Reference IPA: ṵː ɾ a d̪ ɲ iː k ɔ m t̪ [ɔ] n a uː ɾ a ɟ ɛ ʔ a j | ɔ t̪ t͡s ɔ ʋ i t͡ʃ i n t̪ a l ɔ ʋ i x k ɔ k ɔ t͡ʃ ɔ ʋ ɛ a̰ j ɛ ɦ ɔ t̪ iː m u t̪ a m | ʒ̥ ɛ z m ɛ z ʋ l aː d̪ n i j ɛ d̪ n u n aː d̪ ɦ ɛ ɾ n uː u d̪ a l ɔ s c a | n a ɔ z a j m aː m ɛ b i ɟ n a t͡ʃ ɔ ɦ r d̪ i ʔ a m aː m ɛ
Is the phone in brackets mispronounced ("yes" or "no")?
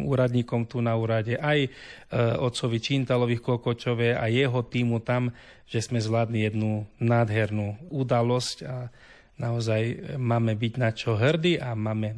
yes